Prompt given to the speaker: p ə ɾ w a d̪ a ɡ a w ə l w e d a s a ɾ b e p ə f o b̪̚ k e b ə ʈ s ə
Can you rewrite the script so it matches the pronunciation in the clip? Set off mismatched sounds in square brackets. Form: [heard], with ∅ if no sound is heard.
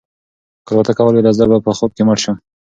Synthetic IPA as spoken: [k] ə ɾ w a [t̪] a [k] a w ə l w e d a [z] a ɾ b [a] p ə [x] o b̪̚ k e [m] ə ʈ [ʃ] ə